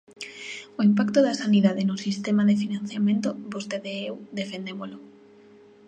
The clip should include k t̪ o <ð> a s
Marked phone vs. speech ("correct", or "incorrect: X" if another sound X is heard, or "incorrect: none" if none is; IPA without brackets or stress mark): correct